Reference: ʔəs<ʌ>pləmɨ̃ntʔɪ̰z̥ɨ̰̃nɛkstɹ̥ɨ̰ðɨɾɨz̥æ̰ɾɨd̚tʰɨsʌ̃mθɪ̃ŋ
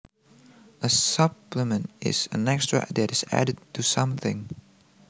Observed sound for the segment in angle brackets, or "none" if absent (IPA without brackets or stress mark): ʌ